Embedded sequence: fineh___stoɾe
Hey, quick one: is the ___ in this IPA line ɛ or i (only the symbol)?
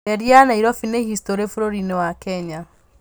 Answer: i